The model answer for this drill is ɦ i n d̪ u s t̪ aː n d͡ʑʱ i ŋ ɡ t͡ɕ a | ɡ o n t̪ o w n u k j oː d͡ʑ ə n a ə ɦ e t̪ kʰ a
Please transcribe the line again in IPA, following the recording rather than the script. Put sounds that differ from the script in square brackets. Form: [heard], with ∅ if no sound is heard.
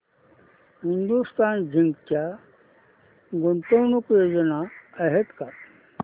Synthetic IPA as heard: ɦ i n d̪ u s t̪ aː n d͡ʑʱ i ŋ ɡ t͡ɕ a | ɡ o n t̪ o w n u k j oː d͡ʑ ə n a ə ɦ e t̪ [k] a

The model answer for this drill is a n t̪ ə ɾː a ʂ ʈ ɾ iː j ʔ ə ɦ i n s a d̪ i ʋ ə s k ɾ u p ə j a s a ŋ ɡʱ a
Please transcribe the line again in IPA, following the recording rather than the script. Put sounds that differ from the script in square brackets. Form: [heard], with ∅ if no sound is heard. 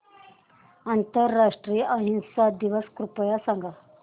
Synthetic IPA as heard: a n t̪ ə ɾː a ʂ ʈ ɾ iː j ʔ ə ɦ i n s a d̪ i ʋ ə s k ɾ u p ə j a s a ŋ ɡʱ a

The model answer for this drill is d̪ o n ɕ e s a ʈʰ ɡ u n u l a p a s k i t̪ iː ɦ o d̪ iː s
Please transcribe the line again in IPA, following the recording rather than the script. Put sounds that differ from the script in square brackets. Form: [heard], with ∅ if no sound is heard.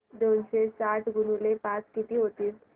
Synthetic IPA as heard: d̪ o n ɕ e s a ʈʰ ɡ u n u l [e] p a [t͡s] k i t̪ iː ɦ o [t̪] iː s

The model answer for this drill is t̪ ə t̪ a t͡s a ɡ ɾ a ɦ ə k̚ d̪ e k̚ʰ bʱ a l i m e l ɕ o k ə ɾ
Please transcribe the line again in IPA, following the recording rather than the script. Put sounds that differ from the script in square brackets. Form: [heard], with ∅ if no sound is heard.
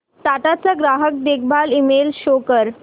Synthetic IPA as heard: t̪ [a] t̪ a t͡s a ɡ ɾ a ɦ ə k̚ d̪ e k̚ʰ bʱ a l i m e l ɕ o k ə ɾ

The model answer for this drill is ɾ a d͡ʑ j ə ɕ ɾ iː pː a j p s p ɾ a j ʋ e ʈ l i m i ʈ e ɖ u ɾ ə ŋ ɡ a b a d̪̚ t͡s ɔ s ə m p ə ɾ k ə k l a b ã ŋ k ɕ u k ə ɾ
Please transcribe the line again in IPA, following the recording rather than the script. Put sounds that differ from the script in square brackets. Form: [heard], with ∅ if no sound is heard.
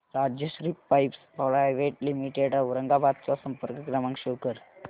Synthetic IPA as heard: ɾ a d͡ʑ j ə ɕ ɾ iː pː a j p s p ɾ a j ʋ e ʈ l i m i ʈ e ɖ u ɾ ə ŋ ɡ a b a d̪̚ t͡s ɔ s ə m p ə ɾ k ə k [ɾ] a [m] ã ŋ k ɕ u k ə ɾ

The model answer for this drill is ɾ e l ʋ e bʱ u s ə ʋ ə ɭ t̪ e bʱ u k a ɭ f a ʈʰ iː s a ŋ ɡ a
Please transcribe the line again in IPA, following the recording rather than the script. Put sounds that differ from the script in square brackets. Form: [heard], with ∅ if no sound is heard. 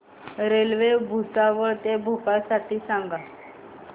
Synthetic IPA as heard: ɾ e l ʋ e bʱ u s [a] ʋ ə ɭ t̪ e bʱ u k a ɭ [s] a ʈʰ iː s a ŋ ɡ a

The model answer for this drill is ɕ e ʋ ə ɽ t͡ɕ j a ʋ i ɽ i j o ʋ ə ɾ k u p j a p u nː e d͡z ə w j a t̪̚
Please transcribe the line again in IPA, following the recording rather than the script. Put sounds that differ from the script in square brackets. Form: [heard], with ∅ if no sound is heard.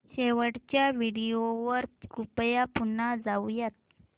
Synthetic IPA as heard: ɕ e ʋ ə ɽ t͡ɕ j a ʋ i ɽ i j o ʋ ə ɾ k u p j a p u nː [a] d͡z [a] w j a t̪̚

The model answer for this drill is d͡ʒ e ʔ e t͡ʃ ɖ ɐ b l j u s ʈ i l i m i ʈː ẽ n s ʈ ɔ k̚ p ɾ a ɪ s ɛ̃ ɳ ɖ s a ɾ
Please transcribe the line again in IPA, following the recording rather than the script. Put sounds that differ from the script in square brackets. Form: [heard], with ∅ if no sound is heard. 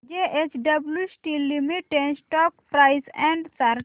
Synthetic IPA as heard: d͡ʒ e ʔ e t͡ʃ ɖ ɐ b l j u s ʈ i l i m i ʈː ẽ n s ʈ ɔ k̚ p ɾ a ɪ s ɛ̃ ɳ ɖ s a ɾ

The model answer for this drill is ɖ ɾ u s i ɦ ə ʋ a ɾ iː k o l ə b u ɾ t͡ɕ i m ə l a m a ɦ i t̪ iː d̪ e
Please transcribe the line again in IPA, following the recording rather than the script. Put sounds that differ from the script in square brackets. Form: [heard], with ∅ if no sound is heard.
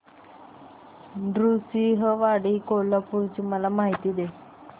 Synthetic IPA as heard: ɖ ɾ u s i ɦ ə ʋ a [ɽ] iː k o l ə [p] u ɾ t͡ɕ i m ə l a m a ɦ i t̪ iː d̪ e

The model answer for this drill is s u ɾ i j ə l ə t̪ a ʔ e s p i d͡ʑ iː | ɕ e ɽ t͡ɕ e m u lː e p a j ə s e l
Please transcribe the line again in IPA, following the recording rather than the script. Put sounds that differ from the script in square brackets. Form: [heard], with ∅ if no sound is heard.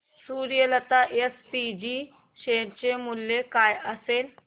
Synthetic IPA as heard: s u ɾ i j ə l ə t̪ a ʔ e s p i d͡ʑ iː | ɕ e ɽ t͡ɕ e m u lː e [k] a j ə s e l

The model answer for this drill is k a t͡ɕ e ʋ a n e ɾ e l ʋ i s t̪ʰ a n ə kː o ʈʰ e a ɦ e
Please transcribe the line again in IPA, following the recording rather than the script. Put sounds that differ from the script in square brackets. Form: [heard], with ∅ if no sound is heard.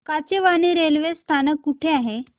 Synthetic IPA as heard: k a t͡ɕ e ʋ a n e ɾ e l ʋ [e] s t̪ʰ a n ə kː [u] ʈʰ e a ɦ e

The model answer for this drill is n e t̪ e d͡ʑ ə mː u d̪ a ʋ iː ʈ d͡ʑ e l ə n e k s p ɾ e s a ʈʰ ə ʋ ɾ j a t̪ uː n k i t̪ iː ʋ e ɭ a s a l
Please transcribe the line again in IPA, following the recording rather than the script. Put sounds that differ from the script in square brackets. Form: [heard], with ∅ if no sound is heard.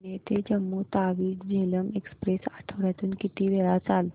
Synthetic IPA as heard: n e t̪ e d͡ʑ ə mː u [t̪] a ʋ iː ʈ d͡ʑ e l ə [m] e k s p ɾ e s a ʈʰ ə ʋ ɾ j a t̪ uː n k i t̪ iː ʋ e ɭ a [t͡s] a l

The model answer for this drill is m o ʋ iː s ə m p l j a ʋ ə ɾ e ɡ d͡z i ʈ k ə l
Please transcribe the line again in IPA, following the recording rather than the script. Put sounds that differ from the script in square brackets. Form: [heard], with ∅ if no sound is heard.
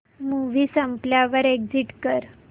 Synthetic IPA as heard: m [u] ʋ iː s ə m p l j a ʋ ə ɾ e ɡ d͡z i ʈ k ə [ɾ]

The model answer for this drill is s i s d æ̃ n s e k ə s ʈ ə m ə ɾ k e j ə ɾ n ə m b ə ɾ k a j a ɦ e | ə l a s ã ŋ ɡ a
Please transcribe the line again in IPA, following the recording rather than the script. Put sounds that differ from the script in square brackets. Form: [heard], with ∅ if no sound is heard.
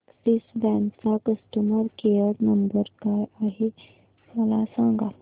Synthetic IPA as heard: s i s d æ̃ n s [a] k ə s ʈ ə m ə ɾ k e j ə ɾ n ə m b ə ɾ k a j a ɦ e | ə l a s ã ŋ ɡ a

